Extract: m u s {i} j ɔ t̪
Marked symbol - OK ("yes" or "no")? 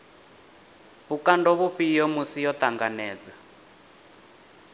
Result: yes